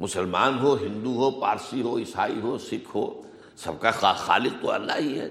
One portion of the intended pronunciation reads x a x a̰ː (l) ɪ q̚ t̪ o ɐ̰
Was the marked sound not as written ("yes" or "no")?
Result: no